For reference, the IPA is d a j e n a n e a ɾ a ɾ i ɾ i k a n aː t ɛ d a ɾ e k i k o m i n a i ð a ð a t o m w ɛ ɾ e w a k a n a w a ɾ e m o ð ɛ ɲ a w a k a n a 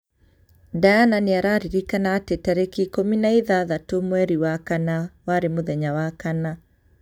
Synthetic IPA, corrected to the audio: d a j a n a n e a ɾ a ɾ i ɾ i k a n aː t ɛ t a ɾ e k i k o m i n a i ð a ð a t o m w ɛ ɾ i w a k a n a w a ɾ e m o ð ɛ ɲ a w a k a n a